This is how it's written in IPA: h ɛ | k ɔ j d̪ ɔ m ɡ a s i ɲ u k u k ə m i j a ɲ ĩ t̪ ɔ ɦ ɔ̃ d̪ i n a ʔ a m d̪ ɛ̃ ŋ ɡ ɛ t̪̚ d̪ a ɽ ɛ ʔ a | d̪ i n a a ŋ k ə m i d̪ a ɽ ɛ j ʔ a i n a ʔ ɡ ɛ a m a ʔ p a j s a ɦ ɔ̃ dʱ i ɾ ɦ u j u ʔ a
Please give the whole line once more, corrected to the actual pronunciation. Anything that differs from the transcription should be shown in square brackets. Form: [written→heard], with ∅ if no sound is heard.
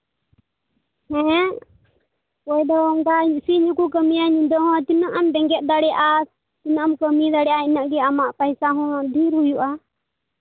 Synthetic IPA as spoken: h ɛ | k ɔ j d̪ ɔ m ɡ a s i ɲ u k u k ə m i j a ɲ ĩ [t̪→d̪] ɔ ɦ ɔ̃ [d̪→t̪] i n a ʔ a m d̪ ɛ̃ ŋ ɡ ɛ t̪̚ d̪ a ɽ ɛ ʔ a | [d̪→t̪] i n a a [ŋ→m] k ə m i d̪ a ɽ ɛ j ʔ a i n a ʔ ɡ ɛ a m a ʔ p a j s a ɦ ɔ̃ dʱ i ɾ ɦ u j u ʔ a